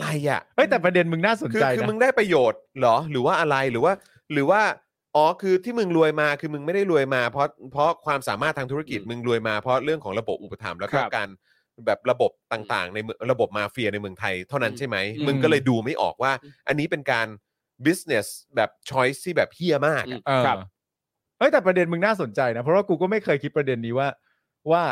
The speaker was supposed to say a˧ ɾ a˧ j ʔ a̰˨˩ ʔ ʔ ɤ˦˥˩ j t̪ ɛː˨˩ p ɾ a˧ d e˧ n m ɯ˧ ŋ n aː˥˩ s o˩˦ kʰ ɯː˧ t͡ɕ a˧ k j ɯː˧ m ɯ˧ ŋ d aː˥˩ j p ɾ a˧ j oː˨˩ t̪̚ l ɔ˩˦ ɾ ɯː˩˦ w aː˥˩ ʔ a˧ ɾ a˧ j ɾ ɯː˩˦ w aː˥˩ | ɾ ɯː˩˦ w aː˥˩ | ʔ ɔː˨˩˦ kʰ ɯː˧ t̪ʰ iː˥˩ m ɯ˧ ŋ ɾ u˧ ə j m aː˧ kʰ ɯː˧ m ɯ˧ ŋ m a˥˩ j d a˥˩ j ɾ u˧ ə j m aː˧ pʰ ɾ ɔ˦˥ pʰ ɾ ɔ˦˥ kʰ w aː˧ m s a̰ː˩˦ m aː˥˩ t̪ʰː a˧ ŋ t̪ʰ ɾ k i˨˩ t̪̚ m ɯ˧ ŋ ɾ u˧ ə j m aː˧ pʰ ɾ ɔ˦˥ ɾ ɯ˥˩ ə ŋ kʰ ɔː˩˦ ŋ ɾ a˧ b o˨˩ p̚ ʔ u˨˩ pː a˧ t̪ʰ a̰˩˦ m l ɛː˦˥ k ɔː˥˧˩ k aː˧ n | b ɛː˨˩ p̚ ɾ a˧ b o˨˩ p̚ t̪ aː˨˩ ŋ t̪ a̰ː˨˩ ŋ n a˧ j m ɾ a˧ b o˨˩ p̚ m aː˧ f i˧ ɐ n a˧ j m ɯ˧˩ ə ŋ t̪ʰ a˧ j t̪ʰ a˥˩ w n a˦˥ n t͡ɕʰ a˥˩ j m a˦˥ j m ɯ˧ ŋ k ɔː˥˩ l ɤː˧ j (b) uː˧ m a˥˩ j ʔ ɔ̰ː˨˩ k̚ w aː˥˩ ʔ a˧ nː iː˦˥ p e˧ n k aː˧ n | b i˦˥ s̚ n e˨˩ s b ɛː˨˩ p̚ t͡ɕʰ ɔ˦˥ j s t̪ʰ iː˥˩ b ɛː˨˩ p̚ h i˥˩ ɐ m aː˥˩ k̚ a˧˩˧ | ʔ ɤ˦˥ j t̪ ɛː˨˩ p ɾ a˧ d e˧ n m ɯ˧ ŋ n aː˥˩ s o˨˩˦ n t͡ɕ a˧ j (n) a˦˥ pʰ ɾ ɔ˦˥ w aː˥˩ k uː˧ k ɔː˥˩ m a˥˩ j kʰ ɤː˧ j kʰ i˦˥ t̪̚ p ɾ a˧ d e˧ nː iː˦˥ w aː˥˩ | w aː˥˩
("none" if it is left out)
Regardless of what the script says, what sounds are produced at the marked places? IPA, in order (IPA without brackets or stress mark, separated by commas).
d, n